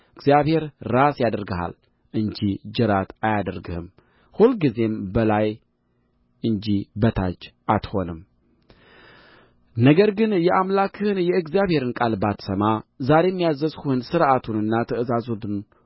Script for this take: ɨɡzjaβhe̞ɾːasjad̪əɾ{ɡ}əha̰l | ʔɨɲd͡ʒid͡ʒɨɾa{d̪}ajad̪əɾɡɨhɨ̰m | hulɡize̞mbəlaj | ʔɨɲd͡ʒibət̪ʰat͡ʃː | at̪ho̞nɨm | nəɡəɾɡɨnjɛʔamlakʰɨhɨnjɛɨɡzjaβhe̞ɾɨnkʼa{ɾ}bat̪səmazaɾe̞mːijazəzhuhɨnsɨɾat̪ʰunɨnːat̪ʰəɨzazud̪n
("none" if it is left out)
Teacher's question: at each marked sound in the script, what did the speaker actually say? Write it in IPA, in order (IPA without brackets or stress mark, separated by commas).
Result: ɡ, t̪, l